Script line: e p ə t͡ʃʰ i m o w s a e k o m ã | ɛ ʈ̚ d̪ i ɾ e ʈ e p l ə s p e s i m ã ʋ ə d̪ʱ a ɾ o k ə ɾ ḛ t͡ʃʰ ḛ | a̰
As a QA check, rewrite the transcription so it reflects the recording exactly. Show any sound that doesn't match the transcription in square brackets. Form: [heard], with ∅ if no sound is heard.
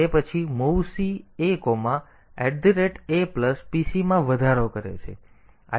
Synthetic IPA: e p ə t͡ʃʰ i m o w s [i] e k o m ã | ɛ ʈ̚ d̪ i ɾ e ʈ e p l ə s p [i] s i m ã ʋ ə d̪ʱ a ɾ o k ə ɾ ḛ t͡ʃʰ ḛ | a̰